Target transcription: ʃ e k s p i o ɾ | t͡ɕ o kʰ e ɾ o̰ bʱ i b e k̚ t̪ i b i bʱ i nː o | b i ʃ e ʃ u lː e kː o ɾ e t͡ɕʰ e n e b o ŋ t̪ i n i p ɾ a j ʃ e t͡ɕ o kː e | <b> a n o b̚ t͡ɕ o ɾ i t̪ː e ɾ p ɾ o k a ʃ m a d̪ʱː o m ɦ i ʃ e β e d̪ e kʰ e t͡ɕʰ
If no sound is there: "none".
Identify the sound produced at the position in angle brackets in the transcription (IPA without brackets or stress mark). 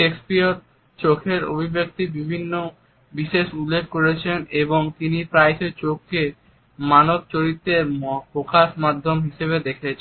m